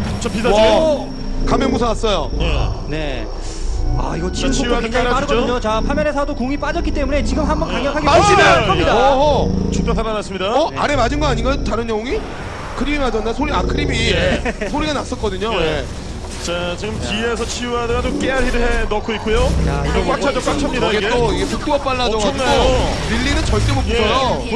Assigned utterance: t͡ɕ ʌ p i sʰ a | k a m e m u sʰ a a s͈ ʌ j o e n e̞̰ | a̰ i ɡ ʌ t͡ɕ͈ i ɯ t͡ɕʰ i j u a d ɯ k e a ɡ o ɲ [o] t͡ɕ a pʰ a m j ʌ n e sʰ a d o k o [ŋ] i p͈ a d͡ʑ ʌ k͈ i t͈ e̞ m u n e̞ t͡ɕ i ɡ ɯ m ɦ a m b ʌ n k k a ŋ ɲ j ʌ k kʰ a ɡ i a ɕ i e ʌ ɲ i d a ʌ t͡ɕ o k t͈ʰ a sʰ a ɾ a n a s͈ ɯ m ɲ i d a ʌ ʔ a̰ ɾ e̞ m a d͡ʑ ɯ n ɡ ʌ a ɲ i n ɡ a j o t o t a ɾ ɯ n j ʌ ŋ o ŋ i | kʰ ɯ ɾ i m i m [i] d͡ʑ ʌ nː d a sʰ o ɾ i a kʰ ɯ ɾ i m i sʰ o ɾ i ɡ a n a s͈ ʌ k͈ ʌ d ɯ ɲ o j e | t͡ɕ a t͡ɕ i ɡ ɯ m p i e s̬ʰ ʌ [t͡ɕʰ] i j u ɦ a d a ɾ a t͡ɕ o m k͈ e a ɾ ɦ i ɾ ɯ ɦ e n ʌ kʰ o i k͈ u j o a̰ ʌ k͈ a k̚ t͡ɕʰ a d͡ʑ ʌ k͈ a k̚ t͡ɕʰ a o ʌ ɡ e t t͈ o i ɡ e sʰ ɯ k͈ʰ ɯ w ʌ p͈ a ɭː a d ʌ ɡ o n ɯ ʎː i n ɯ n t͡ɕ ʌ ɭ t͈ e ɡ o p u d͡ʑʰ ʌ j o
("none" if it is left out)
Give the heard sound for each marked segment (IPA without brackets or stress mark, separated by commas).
o, ŋ, a, t͡ɕʰ